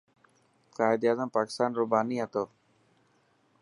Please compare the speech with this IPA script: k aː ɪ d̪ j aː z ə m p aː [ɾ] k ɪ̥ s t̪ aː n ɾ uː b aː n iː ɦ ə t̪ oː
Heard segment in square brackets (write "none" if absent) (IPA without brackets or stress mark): none